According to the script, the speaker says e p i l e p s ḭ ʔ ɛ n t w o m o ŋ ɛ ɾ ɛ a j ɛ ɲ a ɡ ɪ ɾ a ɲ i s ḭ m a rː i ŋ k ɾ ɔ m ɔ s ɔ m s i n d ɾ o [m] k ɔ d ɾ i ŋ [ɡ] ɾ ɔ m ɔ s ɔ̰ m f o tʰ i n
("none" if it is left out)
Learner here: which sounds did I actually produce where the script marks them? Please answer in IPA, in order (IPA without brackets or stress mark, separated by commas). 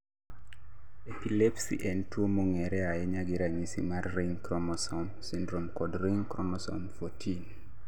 m, k